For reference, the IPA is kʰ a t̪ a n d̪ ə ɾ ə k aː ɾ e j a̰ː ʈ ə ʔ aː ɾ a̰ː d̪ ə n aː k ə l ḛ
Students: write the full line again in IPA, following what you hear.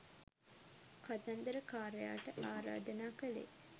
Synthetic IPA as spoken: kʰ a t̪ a n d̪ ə ɾ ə k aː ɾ e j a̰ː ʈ ə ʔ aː ɾ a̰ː d̪ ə n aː k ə l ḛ